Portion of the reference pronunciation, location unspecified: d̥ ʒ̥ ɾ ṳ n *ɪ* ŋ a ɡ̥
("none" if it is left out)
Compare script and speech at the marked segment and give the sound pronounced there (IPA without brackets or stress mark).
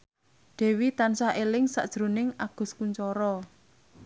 ɪ